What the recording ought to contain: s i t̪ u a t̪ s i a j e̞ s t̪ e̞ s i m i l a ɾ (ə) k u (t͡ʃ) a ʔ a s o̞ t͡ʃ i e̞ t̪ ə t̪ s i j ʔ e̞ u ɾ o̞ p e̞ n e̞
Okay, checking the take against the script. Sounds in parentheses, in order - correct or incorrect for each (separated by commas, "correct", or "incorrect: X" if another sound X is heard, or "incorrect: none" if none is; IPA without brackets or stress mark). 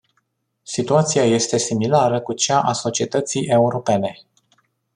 correct, correct